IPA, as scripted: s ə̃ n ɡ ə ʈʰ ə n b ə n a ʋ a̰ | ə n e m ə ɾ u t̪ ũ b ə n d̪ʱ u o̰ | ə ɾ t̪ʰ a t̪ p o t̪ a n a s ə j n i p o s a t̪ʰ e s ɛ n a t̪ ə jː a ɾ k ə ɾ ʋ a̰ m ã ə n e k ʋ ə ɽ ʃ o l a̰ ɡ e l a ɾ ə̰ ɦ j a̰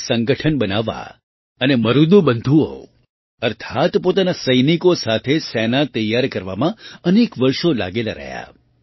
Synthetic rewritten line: s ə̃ ŋ ɡ ə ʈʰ ə n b ə n a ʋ a̰ | ə n e m ə ɾ u d̪ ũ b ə n d̪ʱ u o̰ | ə ɾ t̪ʰ a t̪ p o t̪ a n a s ə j n i k o s a t̪ʰ e s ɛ n a t̪ ə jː a ɾ k ə ɾ ʋ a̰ m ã ə n e k ʋ ə ɾ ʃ o l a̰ ɡ e l a ɾ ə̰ ɦ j a̰